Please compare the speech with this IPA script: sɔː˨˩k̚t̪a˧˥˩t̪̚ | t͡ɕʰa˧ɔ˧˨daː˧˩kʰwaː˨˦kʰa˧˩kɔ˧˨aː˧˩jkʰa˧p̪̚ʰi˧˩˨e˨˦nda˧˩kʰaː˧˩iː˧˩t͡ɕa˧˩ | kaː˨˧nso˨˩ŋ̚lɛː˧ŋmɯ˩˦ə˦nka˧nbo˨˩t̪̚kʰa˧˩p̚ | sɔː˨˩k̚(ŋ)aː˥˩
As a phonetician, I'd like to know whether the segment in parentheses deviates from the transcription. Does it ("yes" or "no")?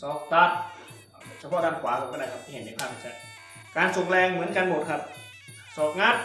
no